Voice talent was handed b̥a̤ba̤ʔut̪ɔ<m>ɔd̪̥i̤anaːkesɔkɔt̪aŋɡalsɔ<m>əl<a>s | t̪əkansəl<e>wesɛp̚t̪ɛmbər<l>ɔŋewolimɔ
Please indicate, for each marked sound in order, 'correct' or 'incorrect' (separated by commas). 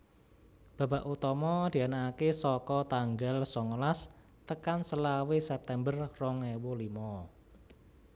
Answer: correct, incorrect, correct, incorrect, incorrect